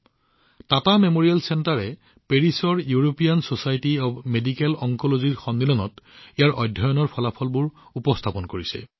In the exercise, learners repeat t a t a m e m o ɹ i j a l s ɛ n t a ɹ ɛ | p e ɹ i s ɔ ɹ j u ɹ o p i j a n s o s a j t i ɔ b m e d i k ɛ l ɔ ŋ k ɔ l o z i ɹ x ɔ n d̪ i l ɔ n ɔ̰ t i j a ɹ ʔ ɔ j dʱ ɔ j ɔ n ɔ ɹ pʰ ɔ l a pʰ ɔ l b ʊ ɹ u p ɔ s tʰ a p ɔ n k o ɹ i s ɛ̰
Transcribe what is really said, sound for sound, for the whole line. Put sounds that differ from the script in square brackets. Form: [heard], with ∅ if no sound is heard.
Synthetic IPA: t a t a m e m o ɹ i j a l s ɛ n t a ɹ ɛ | p e ɹ i s ɔ ɹ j u ɹ o p i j a n s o s a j t i ɔ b m e d i k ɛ l ɔ ŋ k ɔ l o z i ɹ x ɔ n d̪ i l ɔ n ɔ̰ t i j a ɹ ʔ ɔ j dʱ ɔ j ɔ n ɔ ɹ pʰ ɔ l a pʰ ɔ l b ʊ ɹ u p ɔ s tʰ a p ɔ n k o ɹ i s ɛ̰